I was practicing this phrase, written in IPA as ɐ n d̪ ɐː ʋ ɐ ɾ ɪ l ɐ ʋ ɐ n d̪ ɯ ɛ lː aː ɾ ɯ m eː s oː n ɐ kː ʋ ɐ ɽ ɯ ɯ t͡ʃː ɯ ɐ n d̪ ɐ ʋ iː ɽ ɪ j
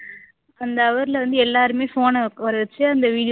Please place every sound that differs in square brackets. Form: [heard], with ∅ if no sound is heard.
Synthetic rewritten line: ɐ n d̪ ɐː ʋ ɐ ɾ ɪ l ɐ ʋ ɐ n d̪ ɯ ɛ lː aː ɾ ɯ m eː [f] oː n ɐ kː ʋ ɐ [ɾ] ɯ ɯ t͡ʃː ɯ ɐ n d̪ ɐ ʋ iː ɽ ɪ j